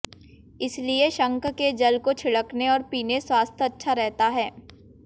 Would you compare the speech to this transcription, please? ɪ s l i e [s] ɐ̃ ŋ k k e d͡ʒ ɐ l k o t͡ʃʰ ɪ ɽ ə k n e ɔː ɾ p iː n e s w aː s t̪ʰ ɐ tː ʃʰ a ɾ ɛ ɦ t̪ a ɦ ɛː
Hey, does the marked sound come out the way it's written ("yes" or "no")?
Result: no